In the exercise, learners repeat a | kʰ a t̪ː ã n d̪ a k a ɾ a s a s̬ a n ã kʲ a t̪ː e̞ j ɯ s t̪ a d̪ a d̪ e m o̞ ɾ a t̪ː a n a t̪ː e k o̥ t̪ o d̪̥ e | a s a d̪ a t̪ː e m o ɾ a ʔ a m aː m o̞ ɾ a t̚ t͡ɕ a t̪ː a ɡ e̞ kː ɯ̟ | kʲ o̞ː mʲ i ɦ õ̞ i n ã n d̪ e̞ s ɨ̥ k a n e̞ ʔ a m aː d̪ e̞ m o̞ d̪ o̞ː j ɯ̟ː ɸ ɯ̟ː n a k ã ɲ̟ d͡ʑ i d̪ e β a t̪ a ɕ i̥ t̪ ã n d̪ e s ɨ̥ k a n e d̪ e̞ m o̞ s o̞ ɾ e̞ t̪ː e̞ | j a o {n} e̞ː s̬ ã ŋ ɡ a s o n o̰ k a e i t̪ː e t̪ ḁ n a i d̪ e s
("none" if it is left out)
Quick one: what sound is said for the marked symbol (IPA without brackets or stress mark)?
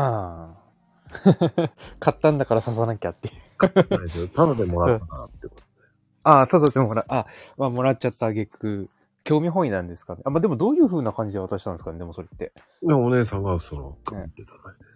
n